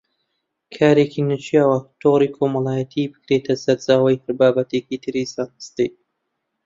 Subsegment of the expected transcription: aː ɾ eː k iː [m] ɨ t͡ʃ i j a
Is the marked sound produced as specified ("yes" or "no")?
no